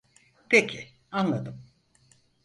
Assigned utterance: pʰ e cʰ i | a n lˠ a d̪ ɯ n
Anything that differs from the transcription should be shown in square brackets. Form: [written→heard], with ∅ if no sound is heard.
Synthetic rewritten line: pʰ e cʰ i | a n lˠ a d̪ ɯ [n→m]